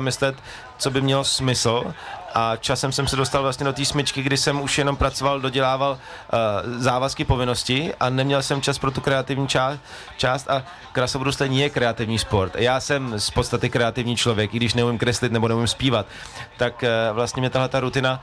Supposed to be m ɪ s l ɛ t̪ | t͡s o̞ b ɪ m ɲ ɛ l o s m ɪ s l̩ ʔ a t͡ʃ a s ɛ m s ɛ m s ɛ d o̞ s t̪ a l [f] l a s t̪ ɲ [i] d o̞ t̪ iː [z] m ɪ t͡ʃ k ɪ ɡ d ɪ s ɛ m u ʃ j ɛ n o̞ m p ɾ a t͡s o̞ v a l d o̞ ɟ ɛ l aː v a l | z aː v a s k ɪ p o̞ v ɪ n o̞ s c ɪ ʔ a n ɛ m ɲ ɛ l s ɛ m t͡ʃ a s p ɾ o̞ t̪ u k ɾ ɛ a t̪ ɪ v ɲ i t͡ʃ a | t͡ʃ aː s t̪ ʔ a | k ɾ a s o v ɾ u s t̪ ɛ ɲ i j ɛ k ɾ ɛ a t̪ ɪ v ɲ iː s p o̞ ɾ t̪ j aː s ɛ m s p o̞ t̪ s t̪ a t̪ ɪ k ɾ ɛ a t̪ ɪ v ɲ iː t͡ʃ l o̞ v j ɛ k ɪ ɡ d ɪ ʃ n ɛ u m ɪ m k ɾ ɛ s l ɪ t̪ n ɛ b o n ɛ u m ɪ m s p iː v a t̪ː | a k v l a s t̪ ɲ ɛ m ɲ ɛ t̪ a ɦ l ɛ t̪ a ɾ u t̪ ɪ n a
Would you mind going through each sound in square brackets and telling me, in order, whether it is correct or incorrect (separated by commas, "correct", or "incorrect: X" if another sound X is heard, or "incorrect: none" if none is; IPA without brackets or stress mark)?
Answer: incorrect: v, incorrect: ɛ, incorrect: s